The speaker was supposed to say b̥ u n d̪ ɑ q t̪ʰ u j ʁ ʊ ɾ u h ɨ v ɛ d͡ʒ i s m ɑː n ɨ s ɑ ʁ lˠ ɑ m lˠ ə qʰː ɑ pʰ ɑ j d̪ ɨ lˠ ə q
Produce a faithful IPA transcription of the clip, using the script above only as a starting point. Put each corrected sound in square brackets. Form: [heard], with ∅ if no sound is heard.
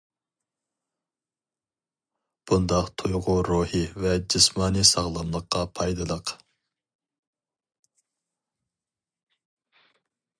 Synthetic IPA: b̥ u n d̪ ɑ q t̪ʰ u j ʁ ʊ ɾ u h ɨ v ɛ d͡ʒ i s m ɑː n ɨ s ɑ ʁ lˠ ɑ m lˠ ə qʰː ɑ pʰ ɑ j d̪ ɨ lˠ ə q